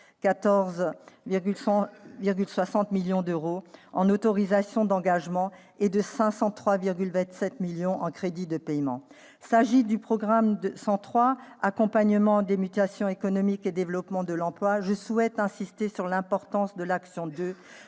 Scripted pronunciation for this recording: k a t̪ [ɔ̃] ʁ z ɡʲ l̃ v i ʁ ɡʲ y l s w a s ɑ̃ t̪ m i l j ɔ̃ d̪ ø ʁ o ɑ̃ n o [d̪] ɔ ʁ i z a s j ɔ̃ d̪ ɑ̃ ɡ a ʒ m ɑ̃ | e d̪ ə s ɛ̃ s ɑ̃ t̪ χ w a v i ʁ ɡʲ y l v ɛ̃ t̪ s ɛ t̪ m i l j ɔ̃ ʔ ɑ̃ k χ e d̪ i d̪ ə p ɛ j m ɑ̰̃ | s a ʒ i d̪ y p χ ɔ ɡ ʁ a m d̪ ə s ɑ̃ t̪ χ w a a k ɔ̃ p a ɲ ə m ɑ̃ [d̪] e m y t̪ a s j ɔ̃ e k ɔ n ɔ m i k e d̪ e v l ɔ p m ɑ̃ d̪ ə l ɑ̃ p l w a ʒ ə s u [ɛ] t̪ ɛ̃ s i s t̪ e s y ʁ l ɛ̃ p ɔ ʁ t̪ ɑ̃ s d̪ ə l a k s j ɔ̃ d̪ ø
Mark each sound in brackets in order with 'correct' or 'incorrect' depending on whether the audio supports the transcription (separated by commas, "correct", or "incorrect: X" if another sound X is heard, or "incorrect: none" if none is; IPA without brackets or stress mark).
incorrect: ɔ, incorrect: t̪, correct, correct